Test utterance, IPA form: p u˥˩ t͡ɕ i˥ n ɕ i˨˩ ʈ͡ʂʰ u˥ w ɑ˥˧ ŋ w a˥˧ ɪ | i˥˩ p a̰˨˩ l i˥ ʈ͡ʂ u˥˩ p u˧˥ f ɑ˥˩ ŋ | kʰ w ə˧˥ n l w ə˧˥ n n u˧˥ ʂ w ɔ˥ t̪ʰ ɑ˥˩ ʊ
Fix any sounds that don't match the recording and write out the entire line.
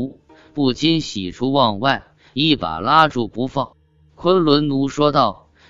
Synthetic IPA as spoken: p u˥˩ t͡ɕ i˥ n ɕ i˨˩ ʈ͡ʂʰ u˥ w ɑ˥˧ ŋ w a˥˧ ɪ | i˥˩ p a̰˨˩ l a˥ ʈ͡ʂ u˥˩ p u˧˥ f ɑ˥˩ ŋ | kʰ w ə˥ n l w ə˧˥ n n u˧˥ ʂ w ɔ˥ t̪ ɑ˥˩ ʊ